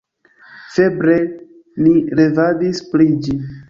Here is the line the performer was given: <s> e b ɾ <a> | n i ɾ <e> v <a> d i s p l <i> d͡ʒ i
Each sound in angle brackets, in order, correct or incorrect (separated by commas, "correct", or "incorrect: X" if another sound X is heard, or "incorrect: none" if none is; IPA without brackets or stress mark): incorrect: f, incorrect: e, correct, correct, correct